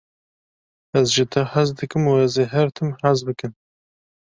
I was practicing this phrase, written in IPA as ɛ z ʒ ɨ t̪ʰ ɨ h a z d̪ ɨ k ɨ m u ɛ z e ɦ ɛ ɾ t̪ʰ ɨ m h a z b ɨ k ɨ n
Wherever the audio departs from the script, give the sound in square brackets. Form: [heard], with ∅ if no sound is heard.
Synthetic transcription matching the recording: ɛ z ʒ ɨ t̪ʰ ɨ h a z d̪ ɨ k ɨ m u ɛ z e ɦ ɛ ɾ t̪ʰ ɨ m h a z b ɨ k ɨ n